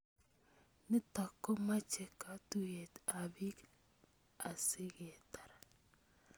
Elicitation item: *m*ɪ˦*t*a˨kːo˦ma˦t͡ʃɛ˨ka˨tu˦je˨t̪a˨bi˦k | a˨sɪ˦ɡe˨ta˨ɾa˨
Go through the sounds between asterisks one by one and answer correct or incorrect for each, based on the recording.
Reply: incorrect: n, correct

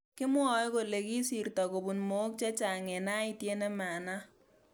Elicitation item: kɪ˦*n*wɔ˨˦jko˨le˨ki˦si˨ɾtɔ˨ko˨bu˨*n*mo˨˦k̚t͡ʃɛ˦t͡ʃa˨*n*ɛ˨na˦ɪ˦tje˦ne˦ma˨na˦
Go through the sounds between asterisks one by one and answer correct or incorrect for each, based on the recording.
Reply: incorrect: m, correct, incorrect: ŋ

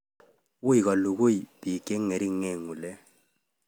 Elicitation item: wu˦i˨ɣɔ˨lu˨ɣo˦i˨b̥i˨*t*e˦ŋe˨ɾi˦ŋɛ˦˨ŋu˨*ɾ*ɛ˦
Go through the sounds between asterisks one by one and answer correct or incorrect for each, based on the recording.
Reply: incorrect: k, incorrect: l

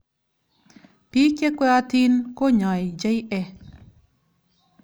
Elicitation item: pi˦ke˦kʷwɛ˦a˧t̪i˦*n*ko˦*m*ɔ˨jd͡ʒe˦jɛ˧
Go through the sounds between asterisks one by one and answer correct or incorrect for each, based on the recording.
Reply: correct, incorrect: ɲ

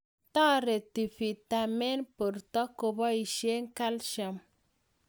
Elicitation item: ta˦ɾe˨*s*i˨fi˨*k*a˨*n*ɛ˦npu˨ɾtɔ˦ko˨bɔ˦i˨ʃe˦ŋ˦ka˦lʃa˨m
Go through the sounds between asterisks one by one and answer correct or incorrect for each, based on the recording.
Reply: incorrect: t, incorrect: t, incorrect: m

